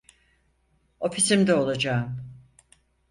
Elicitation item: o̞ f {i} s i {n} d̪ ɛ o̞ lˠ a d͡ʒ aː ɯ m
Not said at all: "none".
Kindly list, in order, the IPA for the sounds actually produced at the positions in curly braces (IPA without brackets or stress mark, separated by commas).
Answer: i, m